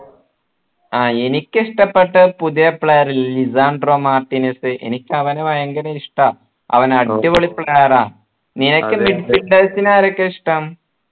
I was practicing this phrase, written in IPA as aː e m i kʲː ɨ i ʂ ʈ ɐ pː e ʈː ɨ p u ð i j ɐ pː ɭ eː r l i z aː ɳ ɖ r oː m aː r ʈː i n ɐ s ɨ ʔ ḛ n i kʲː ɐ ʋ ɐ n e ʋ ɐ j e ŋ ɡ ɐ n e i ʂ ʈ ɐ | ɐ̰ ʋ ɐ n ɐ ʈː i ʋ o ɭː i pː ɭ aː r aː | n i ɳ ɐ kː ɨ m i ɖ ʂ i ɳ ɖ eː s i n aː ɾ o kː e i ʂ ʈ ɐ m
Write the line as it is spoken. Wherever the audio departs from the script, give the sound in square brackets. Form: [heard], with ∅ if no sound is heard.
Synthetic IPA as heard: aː e [n] i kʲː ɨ i ʂ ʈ ɐ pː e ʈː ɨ p u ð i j ɐ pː ɭ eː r l i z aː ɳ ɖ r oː m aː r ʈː i n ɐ s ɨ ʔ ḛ n i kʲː ɐ ʋ ɐ n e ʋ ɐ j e ŋ ɡ ɐ n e i ʂ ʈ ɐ | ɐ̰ ʋ ɐ n ɐ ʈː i ʋ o [ɭ] i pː ɭ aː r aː | n i [n] ɐ kː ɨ m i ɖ [f] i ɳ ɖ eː s i n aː ɾ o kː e i ʂ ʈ ɐ m